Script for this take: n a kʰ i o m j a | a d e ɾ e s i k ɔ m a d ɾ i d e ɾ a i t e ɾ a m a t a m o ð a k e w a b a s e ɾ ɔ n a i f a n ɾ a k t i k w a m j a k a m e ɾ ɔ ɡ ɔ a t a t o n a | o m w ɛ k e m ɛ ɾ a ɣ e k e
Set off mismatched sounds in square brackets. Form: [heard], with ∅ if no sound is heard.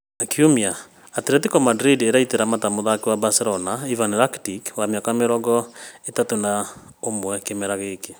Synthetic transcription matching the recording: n a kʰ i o m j a | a [t] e ɾ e [t] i k ɔ m a d ɾ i d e ɾ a i t e ɾ a m a t a m o ð a k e w a b a s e ɾ ɔ n a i [v] a n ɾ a k t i k w a m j a k a m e ɾ ɔ ɡ ɔ [e] t a t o n a | o m w ɛ k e m ɛ ɾ a ɣ e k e